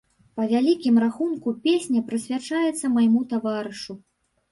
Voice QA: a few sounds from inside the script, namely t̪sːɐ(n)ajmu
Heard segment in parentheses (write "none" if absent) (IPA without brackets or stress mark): m